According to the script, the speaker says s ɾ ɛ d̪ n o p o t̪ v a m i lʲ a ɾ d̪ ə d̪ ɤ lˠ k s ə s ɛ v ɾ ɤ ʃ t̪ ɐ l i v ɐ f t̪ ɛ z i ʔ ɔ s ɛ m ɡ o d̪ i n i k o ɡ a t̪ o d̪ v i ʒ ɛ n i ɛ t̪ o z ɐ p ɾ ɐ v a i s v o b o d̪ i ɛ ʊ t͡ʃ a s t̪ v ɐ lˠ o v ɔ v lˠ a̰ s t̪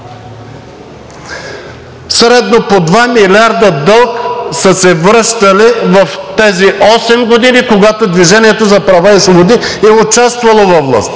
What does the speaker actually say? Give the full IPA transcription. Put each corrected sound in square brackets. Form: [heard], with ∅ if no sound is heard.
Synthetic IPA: s ɾ ɛ d̪ n o p o [d̪] v a m i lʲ a ɾ d̪ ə d̪ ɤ lˠ k s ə s ɛ v ɾ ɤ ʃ t̪ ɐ l i v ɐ f t̪ ɛ z i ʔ ɔ s ɛ m ɡ o d̪ i n i k o ɡ a t̪ o d̪ v i ʒ ɛ n i ɛ t̪ o z ɐ p ɾ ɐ v a i s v o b o d̪ i ɛ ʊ t͡ʃ a s t̪ v ɐ lˠ o v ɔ v lˠ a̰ s t̪